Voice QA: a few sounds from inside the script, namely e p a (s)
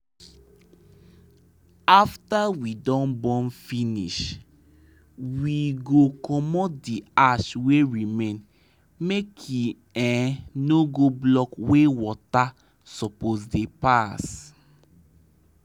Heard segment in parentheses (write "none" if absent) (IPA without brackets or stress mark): s